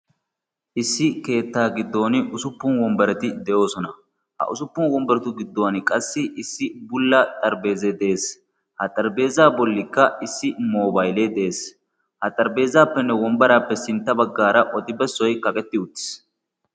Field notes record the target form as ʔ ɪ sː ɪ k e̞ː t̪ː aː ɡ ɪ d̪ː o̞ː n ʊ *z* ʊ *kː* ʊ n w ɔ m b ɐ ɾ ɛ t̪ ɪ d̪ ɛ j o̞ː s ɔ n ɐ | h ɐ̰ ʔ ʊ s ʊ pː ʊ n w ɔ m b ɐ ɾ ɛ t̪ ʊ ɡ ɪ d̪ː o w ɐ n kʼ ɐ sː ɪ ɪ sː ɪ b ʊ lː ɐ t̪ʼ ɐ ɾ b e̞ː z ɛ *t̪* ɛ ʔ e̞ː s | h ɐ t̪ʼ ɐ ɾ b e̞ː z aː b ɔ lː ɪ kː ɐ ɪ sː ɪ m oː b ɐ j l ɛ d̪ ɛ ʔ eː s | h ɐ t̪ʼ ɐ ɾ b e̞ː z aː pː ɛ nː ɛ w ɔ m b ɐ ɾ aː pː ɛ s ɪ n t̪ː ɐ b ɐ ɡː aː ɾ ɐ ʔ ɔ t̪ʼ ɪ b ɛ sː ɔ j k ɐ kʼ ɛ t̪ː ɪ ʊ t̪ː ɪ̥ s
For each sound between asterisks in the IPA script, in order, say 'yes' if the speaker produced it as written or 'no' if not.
no, no, no

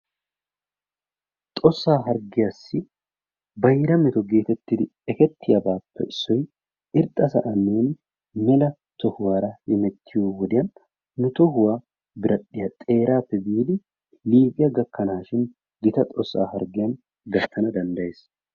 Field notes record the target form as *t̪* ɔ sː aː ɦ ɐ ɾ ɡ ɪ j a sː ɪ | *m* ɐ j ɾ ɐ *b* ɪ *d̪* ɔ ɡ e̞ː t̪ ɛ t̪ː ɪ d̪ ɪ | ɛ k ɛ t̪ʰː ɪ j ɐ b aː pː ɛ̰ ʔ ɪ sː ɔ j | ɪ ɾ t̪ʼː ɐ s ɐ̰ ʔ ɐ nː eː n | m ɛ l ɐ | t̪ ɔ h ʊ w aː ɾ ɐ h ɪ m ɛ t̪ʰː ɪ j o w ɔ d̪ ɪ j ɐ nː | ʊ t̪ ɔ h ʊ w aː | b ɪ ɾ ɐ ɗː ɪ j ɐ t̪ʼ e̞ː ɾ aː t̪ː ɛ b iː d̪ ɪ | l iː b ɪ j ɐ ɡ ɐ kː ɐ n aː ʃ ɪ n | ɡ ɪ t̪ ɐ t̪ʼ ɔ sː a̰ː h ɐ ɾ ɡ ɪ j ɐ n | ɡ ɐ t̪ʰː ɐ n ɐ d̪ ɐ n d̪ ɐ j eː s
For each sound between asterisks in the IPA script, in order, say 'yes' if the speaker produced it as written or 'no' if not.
no, no, no, no

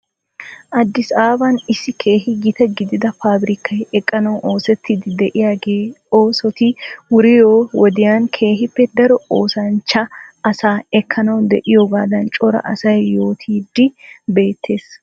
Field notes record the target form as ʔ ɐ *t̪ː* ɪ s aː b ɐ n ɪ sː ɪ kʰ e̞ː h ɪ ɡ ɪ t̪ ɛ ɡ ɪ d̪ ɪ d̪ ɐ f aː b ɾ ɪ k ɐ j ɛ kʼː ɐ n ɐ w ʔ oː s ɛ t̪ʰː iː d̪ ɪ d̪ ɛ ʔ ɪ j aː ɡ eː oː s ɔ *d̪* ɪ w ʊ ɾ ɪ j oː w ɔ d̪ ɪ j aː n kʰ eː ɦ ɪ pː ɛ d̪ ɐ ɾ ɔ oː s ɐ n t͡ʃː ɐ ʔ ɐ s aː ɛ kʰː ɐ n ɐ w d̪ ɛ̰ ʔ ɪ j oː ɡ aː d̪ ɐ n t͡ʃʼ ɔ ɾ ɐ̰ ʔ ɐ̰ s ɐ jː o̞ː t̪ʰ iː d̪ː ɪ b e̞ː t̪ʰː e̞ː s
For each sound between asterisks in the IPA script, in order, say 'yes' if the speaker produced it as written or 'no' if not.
no, no

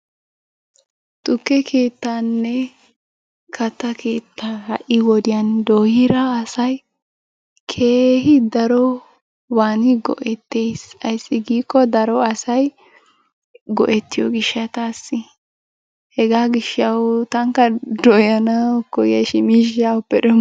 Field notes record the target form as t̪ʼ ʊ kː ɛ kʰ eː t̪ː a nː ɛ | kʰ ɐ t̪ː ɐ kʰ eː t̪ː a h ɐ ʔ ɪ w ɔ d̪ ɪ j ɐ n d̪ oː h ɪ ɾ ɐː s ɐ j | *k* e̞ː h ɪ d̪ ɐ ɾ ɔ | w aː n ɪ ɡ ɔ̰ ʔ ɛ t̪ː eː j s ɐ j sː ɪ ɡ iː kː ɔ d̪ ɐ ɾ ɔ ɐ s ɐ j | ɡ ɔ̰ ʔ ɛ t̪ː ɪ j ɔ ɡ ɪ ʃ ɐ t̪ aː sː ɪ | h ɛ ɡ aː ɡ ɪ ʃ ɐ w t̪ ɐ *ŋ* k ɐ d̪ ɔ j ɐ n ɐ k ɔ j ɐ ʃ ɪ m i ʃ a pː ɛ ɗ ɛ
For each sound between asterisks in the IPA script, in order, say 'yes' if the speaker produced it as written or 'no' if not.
no, yes

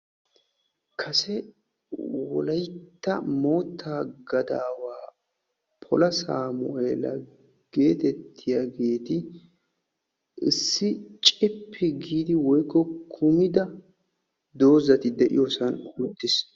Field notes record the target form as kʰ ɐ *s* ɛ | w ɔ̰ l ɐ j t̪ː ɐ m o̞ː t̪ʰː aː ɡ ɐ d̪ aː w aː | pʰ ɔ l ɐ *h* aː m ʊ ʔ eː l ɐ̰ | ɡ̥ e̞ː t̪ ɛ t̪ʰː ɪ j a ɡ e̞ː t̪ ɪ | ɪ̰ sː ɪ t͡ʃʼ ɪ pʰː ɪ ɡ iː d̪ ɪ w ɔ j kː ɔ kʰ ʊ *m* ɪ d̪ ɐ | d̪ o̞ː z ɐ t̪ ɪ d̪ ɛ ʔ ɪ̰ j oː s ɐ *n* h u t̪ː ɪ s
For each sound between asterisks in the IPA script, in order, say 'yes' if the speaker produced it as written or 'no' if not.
yes, no, yes, yes

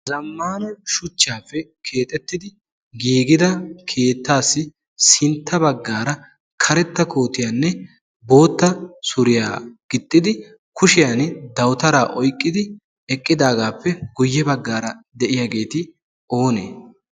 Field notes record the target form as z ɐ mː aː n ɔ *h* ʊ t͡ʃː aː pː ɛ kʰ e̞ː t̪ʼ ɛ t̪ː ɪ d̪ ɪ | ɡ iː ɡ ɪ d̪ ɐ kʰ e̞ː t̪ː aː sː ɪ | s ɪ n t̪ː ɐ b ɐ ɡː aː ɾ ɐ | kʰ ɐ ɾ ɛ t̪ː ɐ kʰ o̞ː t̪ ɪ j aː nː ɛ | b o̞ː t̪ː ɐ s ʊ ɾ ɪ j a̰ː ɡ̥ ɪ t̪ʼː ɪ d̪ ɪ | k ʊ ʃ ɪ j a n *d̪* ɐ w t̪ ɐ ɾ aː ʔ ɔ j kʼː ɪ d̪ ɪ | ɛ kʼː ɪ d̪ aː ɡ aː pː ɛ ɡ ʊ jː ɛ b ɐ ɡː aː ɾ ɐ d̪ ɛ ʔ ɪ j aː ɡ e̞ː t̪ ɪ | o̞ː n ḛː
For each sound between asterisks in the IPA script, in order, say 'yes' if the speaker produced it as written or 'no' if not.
no, yes

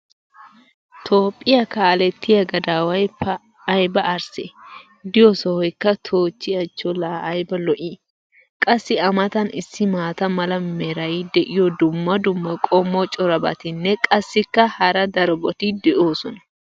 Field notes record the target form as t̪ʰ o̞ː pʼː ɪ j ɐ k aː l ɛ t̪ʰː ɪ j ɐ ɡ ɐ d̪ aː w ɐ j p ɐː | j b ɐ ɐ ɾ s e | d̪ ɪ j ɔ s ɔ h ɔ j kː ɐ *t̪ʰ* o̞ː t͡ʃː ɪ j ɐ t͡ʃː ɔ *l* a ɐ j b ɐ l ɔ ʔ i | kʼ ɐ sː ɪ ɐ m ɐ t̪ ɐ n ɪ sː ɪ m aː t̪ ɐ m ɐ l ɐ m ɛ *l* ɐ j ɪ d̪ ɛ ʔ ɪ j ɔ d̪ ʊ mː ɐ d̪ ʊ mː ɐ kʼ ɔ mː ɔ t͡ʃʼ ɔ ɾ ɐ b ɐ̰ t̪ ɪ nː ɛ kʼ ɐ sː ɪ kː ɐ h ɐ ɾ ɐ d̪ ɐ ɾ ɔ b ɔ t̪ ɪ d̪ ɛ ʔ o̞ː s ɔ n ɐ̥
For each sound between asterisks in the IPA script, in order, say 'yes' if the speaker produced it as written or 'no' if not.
yes, yes, no

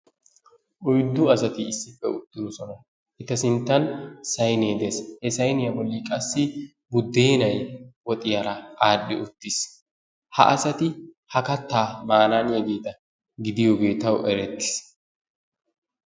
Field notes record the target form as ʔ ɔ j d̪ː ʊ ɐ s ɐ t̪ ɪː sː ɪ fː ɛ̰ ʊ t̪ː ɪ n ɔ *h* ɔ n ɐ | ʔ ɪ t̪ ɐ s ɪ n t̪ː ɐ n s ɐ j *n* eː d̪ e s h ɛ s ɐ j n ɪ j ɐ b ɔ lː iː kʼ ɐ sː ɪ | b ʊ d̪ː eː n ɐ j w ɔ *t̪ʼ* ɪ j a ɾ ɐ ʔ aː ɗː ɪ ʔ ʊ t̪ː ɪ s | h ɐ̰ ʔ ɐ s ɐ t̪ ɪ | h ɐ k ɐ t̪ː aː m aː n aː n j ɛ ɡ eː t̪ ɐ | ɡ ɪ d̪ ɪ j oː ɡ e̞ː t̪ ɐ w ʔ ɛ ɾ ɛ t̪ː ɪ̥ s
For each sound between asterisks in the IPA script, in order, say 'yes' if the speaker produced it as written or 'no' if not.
no, yes, yes

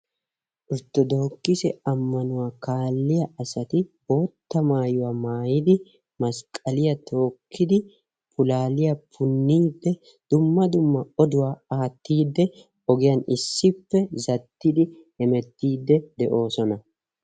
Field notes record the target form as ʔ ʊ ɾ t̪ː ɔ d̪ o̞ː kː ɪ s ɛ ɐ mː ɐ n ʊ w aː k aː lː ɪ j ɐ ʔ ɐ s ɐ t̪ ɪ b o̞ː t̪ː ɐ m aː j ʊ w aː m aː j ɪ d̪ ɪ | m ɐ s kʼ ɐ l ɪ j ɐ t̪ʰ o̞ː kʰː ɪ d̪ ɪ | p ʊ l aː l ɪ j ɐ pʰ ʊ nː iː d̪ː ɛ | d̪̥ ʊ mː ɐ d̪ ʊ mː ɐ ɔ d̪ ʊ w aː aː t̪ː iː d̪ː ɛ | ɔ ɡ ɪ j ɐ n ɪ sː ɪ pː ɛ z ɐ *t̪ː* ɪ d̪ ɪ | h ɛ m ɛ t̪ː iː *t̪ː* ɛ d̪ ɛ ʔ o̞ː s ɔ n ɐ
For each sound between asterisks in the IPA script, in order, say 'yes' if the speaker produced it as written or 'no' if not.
yes, no

